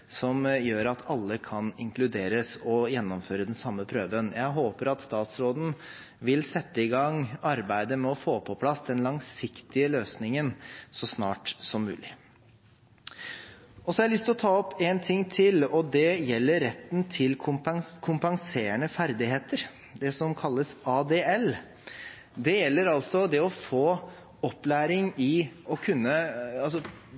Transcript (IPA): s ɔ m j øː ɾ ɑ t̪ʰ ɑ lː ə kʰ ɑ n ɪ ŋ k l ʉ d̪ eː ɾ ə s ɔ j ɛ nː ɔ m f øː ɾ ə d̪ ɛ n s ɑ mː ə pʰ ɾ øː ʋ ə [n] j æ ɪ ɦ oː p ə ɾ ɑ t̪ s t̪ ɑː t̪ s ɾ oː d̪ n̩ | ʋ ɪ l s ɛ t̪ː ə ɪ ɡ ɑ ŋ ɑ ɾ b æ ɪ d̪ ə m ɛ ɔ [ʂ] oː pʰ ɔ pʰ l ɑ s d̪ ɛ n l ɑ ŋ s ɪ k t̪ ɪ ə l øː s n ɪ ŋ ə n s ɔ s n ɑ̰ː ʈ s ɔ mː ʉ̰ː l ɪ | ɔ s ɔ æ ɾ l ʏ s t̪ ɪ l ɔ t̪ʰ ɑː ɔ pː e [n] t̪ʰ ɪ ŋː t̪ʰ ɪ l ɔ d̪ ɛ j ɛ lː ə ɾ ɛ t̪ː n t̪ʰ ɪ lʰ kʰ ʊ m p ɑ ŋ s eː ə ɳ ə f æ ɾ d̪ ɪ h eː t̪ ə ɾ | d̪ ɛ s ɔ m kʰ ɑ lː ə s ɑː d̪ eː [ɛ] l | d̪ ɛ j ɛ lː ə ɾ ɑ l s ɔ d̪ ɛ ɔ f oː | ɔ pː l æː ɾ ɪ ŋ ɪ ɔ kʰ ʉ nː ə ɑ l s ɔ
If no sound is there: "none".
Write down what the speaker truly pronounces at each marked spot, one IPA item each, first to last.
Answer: n, f, n, ɛ

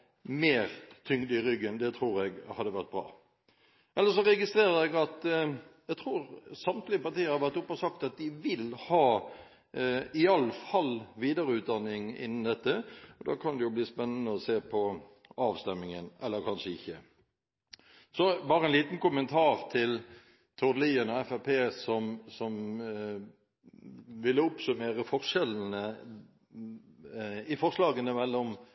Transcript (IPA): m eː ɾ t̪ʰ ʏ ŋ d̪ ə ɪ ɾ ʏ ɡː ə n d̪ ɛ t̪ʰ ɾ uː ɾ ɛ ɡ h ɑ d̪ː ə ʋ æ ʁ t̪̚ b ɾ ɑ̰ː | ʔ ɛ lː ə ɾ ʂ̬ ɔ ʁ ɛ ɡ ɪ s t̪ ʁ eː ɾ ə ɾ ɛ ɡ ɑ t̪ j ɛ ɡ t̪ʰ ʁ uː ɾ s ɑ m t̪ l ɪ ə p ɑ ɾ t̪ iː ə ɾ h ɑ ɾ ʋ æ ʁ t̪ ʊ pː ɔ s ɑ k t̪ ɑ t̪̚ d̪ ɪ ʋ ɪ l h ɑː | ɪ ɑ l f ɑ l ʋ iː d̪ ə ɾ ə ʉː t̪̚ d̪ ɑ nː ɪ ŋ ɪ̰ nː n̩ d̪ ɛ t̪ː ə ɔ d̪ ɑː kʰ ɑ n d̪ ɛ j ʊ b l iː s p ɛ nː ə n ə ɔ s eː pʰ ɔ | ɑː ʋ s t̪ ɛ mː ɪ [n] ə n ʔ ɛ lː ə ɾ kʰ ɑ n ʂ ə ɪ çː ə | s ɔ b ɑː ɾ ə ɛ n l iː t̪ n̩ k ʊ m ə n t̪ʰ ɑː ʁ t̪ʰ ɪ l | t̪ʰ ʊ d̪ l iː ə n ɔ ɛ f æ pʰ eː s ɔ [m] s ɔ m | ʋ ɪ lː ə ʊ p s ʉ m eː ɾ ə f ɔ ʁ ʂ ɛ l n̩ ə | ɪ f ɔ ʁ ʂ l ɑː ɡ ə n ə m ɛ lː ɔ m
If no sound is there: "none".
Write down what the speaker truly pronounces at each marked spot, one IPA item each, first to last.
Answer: ŋ, m

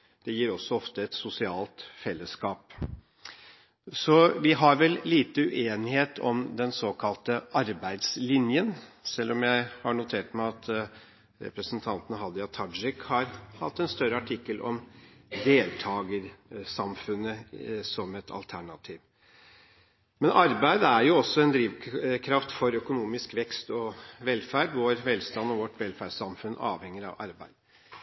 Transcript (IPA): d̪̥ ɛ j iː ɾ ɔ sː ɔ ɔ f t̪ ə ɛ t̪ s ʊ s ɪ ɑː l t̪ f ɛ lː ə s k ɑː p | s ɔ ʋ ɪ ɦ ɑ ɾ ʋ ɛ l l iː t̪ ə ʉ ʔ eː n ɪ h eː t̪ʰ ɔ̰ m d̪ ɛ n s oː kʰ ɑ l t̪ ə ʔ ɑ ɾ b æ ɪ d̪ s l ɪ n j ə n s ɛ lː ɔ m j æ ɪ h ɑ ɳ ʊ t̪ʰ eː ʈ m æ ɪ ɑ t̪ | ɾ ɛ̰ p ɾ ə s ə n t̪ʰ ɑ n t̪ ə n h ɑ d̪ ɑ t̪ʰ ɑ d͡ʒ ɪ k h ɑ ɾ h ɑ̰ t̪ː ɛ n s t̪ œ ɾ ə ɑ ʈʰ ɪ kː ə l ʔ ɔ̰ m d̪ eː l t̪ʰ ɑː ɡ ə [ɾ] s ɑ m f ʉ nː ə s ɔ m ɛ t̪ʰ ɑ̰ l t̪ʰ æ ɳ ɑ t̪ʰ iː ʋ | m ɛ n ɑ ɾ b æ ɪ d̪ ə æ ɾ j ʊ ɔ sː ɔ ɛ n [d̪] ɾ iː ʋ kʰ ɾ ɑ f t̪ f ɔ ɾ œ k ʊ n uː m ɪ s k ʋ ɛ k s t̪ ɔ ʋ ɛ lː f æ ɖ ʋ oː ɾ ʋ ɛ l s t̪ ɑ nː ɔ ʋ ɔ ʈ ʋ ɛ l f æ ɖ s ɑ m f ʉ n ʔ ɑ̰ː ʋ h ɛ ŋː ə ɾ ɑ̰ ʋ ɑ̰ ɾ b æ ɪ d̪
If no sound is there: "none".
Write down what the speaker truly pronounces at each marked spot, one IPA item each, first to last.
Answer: ɾ, d̪

